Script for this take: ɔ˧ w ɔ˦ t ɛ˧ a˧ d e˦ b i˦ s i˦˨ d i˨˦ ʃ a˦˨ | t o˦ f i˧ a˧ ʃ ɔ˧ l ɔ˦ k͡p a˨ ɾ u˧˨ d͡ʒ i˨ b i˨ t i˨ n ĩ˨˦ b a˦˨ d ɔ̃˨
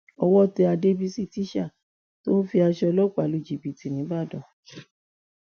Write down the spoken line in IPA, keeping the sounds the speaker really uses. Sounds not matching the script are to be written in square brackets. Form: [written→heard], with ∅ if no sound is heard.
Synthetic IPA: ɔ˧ w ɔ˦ t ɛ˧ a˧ d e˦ b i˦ s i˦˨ [d→t] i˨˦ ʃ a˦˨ | t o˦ f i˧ a˧ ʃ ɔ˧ l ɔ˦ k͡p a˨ [ɾ→l] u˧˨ d͡ʒ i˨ b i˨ t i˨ n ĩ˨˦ b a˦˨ d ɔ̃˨